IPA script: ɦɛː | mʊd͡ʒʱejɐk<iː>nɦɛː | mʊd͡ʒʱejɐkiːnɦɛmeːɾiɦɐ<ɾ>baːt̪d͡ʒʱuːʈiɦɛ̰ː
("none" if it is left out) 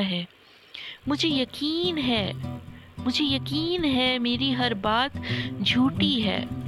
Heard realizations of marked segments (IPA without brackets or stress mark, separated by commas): iː, ɾ